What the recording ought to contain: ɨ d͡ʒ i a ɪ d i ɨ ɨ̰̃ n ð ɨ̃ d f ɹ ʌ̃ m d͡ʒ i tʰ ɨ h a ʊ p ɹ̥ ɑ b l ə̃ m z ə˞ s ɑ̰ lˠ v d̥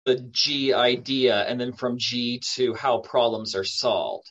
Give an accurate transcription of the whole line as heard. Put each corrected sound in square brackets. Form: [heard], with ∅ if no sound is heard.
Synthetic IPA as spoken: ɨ d͡ʒ i a ɪ d i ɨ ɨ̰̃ n ð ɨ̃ [n] f ɹ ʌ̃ m d͡ʒ i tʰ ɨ h a ʊ [pʰ] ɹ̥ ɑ b l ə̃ m z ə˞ s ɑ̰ lˠ v d̥

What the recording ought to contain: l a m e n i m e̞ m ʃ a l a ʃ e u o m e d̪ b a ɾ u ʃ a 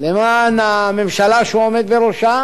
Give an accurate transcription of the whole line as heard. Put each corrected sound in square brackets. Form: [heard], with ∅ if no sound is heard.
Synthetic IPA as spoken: l [e] m [a] n [a] m e̞ m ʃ a l a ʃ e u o m e d̪ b [e] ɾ [o] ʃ a

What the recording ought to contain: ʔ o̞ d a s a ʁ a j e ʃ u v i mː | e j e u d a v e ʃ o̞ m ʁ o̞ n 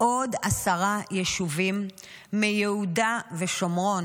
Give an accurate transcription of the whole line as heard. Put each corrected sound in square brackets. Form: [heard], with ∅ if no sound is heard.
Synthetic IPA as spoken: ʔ o̞ d a s a ʁ a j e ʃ u v i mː | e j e u d a v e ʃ o̞ m ʁ o̞ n

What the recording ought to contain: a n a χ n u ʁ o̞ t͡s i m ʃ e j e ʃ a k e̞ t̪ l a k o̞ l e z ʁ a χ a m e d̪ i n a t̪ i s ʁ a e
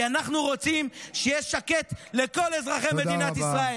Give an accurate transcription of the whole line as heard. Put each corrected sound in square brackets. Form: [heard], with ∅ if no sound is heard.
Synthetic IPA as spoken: a n a χ n u ʁ o̞ t͡s i m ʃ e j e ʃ a k e̞ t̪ l [e] k o̞ l e z ʁ a χ [e] m e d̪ i n a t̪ i s ʁ a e

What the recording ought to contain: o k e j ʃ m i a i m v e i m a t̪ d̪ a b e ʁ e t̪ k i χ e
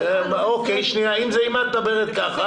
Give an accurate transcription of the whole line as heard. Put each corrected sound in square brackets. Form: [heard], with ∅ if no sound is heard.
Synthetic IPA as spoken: o k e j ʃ [n] i a i m [z] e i m a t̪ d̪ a b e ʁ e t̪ k [a] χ [a]

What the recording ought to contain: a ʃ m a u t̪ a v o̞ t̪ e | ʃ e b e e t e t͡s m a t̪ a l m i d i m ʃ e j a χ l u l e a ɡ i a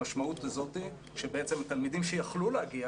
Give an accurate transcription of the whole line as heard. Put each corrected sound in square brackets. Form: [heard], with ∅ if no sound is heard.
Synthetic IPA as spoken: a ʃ m a u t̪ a [z] o̞ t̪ [i] | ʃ e b e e [t͡s] e [∅] m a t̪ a l m i d i m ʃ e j a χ l u l e a ɡ i a

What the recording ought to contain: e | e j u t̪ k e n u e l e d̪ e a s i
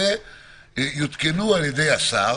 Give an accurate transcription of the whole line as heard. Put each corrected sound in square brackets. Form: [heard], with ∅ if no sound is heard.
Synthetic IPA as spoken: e | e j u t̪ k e n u [a] l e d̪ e a s [a]

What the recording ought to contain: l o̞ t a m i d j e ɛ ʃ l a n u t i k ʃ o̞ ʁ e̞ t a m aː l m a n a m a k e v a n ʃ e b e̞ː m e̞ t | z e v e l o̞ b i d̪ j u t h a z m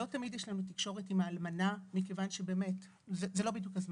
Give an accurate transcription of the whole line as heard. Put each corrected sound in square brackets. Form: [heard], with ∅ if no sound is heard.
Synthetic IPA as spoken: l o̞ t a m i d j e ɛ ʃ l a n u t i k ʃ o̞ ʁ e̞ t [i] m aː l m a n a m [i] k e v a n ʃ e b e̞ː m e̞ t | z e [z] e l o̞ b i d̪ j u [k] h a z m

